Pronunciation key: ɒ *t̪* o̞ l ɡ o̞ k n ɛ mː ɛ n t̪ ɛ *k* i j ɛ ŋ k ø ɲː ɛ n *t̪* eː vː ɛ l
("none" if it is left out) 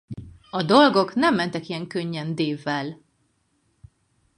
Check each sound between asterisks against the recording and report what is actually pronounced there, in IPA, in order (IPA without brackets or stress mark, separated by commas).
d̪, k, d̪